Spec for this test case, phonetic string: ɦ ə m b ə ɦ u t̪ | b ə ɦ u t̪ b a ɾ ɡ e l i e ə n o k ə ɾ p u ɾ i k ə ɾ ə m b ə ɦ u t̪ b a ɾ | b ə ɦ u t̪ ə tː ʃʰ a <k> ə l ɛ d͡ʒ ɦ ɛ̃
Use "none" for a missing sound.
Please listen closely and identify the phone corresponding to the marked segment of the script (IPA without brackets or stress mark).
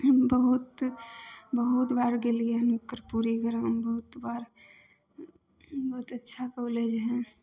k